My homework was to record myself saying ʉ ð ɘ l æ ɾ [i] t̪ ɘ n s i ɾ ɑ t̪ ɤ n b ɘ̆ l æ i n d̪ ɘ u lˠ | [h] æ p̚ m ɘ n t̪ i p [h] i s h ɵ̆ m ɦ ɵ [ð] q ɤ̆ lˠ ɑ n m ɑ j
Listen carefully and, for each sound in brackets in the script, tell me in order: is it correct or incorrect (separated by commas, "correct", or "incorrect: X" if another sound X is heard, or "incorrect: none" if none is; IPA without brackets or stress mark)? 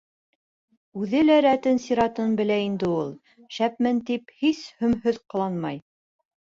incorrect: æ, incorrect: ʃ, correct, correct